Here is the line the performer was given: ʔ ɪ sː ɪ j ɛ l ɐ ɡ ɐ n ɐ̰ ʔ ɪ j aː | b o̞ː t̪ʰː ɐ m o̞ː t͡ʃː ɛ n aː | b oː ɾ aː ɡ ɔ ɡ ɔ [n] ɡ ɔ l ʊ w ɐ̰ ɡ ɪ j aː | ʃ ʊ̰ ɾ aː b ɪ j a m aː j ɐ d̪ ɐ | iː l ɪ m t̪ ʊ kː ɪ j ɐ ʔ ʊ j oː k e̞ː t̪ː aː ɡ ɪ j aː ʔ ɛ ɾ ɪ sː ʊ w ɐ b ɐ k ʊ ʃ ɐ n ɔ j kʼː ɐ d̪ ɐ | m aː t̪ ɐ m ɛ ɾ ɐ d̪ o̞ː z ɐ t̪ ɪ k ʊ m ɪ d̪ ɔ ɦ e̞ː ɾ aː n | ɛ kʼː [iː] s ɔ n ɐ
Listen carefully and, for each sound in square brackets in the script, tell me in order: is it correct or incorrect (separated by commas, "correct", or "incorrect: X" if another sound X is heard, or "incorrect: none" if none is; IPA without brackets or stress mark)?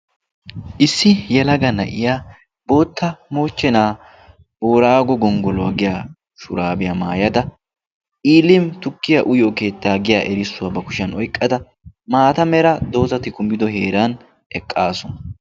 incorrect: ŋ, incorrect: aː